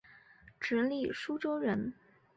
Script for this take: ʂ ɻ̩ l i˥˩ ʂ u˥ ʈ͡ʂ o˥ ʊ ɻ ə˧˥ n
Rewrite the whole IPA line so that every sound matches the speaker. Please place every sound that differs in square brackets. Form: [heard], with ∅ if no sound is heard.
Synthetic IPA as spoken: [ʈ͡ʂ] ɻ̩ l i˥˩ ʂ u˥ ʈ͡ʂ o˥ ʊ ɻ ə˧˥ n